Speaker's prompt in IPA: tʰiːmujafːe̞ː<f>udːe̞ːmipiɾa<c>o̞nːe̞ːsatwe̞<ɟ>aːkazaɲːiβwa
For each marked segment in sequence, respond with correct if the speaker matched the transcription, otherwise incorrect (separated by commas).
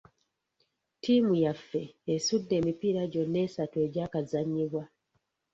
incorrect, incorrect, correct